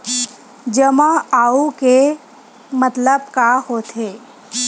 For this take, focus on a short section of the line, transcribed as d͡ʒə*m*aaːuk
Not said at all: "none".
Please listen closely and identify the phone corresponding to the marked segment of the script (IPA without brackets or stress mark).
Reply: m